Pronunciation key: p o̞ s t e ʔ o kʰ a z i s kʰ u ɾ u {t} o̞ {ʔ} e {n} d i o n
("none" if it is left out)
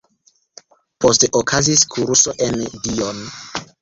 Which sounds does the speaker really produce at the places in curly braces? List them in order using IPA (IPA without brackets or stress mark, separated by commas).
s, ʔ, n